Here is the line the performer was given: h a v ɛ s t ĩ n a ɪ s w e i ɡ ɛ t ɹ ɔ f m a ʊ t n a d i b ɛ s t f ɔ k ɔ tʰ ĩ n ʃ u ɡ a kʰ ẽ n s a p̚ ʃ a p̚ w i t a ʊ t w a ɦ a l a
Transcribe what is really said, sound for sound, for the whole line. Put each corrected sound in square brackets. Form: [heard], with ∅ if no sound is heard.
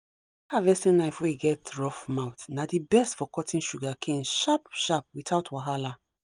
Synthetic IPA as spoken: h a v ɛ s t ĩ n a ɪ [f] w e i ɡ ɛ t ɹ ɔ f m a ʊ t n a d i b ɛ s t f ɔ k ɔ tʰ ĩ n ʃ u ɡ a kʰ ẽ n [ʃ] a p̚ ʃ a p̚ w i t a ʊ t w a ɦ a l a